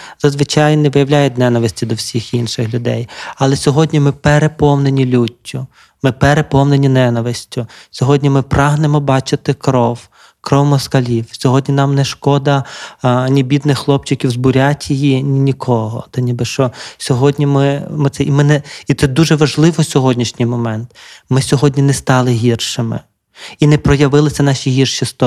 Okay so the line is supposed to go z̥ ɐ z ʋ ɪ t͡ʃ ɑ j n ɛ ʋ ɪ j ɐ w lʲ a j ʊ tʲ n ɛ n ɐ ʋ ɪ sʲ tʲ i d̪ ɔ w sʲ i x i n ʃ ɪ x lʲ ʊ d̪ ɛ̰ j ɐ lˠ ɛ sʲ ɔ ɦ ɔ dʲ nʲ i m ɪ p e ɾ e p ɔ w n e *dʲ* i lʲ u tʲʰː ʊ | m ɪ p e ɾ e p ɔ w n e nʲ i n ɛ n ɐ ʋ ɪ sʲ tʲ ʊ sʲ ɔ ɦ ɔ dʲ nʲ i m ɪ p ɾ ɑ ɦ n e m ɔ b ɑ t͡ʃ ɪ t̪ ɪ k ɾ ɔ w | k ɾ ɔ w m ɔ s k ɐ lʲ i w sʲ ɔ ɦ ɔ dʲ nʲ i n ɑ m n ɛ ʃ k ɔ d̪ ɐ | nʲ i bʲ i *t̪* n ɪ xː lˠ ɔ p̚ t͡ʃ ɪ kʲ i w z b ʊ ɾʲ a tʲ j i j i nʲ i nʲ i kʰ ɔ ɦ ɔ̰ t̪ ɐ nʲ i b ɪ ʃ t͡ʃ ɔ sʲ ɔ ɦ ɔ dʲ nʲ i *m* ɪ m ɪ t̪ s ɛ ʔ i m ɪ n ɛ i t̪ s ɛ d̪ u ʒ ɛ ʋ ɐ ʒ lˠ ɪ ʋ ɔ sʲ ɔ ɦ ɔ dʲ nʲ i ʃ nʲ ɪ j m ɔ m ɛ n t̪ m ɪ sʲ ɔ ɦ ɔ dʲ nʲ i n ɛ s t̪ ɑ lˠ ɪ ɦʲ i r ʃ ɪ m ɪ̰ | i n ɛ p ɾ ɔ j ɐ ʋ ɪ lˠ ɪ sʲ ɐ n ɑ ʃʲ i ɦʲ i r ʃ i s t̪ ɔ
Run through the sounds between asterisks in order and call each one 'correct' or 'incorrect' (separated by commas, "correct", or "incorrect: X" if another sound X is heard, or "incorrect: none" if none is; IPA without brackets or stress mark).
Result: incorrect: nʲ, incorrect: d̪, correct